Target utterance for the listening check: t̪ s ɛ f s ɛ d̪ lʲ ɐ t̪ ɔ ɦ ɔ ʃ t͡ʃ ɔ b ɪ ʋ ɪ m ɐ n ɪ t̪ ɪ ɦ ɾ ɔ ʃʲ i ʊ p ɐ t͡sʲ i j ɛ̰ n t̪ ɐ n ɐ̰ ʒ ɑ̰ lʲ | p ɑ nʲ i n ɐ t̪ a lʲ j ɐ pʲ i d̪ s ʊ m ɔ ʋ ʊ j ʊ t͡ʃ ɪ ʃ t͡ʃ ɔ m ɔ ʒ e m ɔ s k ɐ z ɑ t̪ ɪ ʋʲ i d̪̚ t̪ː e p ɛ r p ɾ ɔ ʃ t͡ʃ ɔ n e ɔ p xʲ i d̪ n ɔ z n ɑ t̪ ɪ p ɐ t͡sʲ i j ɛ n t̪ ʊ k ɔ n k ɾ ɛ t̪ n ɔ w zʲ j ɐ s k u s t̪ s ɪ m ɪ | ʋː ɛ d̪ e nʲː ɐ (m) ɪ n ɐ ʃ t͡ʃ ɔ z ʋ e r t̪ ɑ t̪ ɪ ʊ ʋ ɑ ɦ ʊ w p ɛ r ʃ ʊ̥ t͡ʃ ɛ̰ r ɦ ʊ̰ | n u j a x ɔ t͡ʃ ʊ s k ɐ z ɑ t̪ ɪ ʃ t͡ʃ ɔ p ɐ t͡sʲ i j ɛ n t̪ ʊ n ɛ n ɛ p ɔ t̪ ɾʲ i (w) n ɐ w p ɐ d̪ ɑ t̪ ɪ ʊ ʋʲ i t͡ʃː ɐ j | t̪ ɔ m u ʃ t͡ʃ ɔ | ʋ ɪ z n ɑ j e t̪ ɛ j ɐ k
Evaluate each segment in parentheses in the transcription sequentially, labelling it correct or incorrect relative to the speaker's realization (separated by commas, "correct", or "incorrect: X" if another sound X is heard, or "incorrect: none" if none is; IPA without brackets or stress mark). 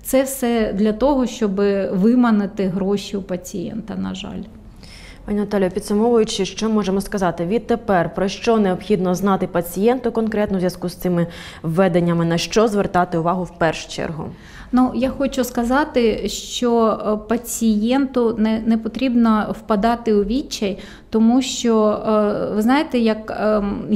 correct, incorrect: b